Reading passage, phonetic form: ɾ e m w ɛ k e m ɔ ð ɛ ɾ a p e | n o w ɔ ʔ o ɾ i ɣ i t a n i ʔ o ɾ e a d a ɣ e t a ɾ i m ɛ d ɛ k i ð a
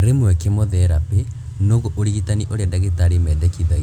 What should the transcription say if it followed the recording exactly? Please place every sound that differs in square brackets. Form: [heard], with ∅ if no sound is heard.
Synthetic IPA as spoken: ɾ e m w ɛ k e m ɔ ð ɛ ɾ a p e | n o [ɣ] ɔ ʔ o ɾ i ɣ i t a n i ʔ o ɾ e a d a ɣ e t a ɾ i m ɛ d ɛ k i ð a